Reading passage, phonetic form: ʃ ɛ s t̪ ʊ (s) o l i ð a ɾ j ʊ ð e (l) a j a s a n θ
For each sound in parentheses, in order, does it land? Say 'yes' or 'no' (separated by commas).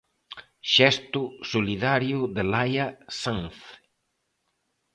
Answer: yes, yes